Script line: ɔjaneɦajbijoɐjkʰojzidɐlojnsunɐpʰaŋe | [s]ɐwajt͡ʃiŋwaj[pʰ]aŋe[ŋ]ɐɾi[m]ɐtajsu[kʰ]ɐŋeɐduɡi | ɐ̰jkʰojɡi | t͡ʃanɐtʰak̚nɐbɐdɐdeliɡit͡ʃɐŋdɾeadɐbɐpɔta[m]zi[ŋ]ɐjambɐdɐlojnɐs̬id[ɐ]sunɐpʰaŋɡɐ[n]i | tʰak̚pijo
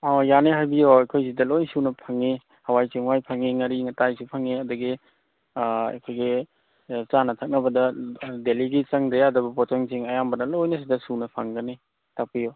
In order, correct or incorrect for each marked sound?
incorrect: h, correct, correct, incorrect: ŋ, incorrect: pʰ, incorrect: ŋ, correct, correct, correct

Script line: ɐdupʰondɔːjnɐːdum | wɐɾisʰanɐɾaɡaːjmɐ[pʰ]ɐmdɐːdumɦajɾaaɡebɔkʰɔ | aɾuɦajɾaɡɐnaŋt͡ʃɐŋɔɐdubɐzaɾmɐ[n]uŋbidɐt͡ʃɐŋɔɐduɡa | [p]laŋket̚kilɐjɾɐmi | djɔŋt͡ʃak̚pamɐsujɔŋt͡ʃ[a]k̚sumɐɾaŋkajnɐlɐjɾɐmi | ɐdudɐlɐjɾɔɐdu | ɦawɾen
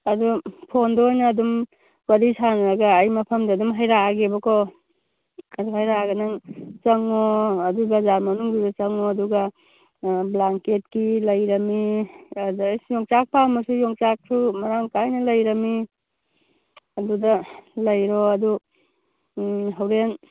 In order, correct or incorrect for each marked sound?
correct, correct, incorrect: b, correct

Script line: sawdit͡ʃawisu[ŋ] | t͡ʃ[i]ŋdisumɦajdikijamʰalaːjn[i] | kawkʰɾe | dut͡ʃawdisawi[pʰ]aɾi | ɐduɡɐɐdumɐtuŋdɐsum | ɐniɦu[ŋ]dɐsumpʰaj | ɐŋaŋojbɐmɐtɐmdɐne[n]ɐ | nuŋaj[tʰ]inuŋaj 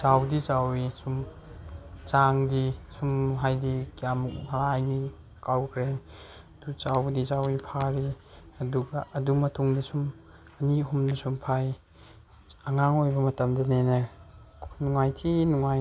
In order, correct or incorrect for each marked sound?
incorrect: m, incorrect: a, correct, correct, incorrect: m, correct, correct

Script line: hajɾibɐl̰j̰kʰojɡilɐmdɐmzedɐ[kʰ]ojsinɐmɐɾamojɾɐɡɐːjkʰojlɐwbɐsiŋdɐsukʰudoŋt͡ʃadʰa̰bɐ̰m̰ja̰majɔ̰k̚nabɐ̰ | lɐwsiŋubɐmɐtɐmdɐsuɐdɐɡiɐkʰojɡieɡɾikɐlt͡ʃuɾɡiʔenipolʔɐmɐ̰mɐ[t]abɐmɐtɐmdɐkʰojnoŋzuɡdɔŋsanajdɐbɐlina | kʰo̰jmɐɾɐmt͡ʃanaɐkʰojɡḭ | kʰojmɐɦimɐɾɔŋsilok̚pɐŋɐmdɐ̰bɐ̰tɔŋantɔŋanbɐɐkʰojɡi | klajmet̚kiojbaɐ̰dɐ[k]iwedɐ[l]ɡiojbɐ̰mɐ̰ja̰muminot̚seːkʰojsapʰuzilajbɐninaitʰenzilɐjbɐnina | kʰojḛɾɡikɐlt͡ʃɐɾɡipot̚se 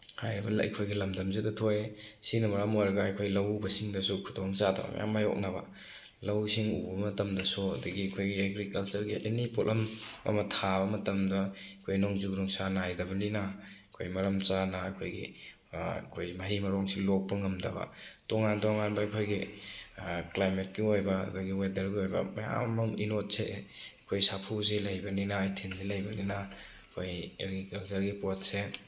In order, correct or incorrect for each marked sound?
incorrect: tʰ, incorrect: tʰ, incorrect: ɡ, incorrect: ɾ

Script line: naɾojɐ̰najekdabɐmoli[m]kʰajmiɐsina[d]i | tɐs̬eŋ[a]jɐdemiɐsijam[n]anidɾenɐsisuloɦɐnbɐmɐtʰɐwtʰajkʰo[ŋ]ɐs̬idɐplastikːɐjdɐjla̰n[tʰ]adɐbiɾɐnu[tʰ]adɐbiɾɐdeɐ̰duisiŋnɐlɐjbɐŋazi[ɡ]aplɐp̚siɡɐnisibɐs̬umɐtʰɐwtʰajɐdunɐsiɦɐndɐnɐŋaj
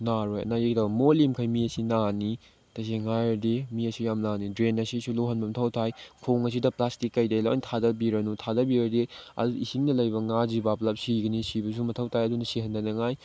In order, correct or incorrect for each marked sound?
correct, incorrect: n, correct, correct, correct, correct, correct, incorrect: b

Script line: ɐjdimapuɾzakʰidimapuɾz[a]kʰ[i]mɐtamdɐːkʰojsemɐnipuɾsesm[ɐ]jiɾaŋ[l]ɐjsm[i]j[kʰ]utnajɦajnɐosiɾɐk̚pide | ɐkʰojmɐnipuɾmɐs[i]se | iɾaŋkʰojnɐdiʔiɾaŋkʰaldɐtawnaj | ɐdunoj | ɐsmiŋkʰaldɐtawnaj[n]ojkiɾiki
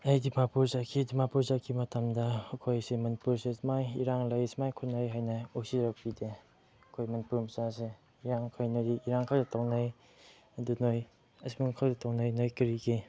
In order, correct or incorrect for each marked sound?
correct, correct, incorrect: a, correct, incorrect: a, correct, incorrect: a, correct

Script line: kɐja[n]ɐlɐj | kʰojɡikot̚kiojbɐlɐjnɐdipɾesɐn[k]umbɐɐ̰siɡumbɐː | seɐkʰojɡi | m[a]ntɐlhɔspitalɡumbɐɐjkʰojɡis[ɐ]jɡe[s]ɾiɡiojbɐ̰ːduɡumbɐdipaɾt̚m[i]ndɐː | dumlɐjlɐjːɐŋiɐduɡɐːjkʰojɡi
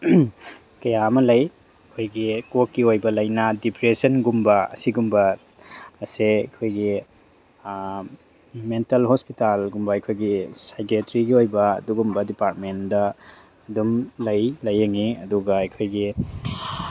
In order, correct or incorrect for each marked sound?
incorrect: m, incorrect: ɡ, incorrect: e, incorrect: a, incorrect: t, incorrect: e

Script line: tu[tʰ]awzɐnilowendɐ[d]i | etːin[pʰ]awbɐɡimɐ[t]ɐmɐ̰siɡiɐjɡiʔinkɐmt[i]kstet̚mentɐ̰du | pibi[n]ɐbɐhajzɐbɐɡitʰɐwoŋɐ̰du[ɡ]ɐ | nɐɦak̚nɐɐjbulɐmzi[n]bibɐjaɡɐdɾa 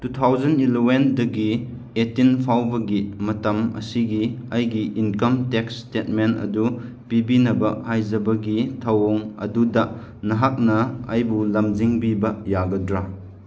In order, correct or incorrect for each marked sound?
correct, incorrect: ɡ, correct, correct, incorrect: e, correct, incorrect: d, incorrect: ŋ

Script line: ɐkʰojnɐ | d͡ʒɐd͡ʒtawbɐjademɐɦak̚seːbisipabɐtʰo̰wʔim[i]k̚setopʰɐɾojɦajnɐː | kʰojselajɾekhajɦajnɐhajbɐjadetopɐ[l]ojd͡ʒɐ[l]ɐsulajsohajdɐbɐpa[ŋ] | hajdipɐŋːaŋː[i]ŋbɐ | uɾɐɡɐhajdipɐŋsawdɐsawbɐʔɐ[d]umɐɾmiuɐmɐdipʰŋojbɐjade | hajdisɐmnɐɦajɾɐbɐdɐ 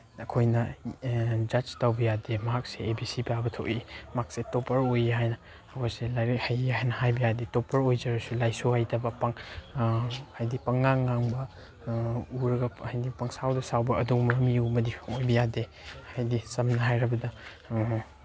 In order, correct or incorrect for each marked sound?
incorrect: a, incorrect: ɾ, incorrect: ɾ, correct, incorrect: a, correct

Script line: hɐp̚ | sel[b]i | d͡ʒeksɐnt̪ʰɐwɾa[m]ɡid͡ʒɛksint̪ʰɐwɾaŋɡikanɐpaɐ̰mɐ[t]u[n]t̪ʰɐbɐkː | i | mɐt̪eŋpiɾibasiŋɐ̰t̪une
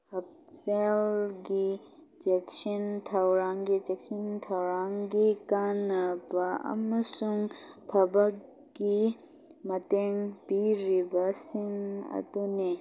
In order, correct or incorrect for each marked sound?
incorrect: ɡ, incorrect: ŋ, incorrect: s, incorrect: ŋ

